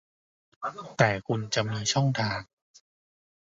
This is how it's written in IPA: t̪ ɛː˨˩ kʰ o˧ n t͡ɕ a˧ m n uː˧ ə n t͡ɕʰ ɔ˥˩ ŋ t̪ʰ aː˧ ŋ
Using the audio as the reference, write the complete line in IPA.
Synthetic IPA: t̪ ɛː˨˩ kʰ u˧ n t͡ɕ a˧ m n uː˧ ə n t͡ɕʰ ɔ˥˩ ŋ t̪ʰ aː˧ ŋ